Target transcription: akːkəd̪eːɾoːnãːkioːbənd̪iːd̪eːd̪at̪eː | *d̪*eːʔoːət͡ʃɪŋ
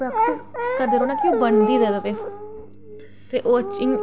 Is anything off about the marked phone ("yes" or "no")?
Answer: yes